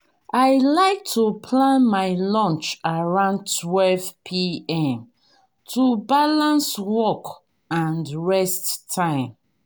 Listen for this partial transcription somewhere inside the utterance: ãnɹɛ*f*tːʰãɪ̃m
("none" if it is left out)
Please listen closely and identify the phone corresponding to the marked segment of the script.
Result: s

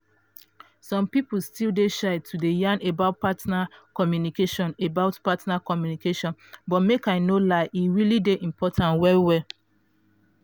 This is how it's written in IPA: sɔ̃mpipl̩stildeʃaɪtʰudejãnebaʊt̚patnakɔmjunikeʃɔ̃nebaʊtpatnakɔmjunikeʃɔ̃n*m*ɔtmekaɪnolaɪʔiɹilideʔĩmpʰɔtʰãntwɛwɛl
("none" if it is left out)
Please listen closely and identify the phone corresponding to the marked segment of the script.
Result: b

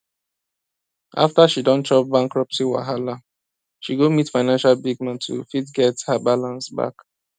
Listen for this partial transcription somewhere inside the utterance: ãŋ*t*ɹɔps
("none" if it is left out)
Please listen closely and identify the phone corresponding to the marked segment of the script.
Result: k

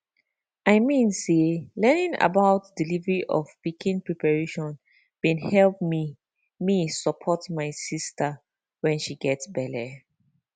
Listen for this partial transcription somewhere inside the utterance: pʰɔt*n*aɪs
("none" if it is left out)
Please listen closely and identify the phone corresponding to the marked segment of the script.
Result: m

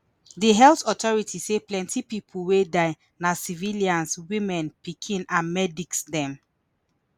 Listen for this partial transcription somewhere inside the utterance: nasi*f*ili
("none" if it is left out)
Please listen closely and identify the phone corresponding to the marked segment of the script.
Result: v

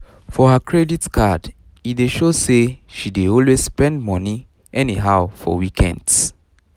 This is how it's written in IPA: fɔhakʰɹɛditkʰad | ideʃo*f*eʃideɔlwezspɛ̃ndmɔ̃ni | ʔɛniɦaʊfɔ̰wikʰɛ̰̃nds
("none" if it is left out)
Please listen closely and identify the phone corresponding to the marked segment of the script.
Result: s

